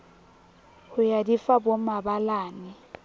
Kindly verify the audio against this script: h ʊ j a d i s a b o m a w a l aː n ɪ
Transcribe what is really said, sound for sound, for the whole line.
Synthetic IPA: h ʊ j a d i f a b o m a b a l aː n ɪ